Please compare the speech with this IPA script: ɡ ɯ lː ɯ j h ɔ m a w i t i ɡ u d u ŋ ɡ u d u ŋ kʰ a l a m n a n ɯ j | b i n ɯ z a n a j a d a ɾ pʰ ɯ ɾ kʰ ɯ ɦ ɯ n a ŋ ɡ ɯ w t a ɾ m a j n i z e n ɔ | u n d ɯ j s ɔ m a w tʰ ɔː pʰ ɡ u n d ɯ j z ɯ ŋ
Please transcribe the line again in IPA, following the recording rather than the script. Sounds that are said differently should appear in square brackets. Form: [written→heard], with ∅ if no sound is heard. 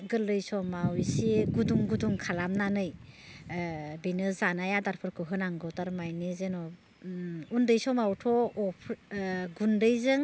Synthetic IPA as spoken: ɡ ɯ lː ɯ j [h→s] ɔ m a w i [t→s] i ɡ u d u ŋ ɡ u d u ŋ kʰ a l a m n a n ɯ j | b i n ɯ z a n a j a d a ɾ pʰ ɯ ɾ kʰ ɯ ɦ ɯ n a ŋ ɡ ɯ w t a ɾ m a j n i z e n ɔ | u n d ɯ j s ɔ m a w tʰ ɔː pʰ ɡ u n d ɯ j z ɯ ŋ